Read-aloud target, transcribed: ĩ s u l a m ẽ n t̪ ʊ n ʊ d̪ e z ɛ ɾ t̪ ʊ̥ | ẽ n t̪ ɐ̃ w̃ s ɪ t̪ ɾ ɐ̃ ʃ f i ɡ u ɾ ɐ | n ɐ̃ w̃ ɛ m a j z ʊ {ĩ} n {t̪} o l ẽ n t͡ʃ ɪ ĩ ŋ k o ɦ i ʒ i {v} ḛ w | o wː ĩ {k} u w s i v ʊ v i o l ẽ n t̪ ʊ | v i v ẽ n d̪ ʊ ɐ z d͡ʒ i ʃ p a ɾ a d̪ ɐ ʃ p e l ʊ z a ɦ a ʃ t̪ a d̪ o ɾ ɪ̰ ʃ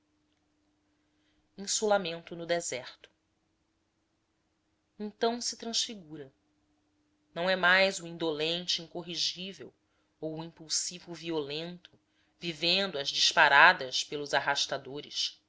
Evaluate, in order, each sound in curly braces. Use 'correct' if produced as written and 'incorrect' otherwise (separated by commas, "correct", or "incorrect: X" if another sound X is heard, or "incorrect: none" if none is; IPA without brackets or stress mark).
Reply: correct, incorrect: d̪, correct, incorrect: p